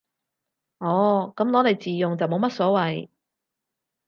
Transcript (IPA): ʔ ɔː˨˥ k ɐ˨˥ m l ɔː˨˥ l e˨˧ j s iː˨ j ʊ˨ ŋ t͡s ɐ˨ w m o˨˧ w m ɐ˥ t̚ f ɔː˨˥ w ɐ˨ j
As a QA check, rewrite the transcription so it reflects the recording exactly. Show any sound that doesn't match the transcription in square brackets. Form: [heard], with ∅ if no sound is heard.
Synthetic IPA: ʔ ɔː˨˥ k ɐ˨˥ m l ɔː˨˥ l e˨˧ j [t͡s] iː˨ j ʊ˨ ŋ t͡s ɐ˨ w m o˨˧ w m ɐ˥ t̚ [s] ɔː˨˥ w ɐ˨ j